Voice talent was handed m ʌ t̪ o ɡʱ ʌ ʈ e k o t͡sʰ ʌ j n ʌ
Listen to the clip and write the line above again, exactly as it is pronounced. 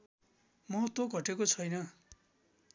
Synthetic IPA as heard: m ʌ t̪ o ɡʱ ʌ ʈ e k o t͡sʰ ʌ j n ʌ